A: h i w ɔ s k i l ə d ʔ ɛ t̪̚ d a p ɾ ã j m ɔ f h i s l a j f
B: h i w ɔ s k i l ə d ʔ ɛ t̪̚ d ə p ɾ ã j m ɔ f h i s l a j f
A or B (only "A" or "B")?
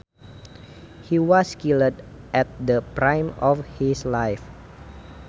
B